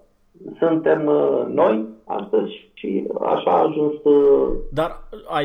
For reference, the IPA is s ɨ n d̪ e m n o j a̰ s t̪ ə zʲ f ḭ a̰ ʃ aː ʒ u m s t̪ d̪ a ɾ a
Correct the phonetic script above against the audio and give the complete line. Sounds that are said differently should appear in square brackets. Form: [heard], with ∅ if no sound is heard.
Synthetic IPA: s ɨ n [t̪] e m n o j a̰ s t̪ ə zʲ [ʃ] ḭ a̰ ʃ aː ʒ u [n] s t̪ d̪ a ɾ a